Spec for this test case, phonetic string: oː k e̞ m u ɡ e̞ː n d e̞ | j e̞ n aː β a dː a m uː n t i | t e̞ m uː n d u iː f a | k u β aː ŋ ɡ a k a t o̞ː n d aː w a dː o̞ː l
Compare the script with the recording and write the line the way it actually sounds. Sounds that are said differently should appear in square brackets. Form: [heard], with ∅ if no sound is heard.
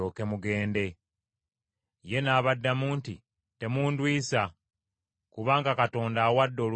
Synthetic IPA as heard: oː k e̞ m u ɡ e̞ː n d e̞ | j e̞ n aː β a dː a m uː n t i | t e̞ m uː n d [w] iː [s] a | k u β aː ŋ ɡ a k a t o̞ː n d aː w a dː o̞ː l